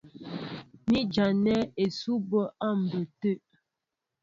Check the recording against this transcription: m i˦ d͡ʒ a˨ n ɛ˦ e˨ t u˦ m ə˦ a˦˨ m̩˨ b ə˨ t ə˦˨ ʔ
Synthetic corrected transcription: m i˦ d͡ʒ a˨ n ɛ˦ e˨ s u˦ b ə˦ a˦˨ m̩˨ b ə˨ t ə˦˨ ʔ